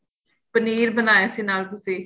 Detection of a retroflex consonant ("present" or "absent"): absent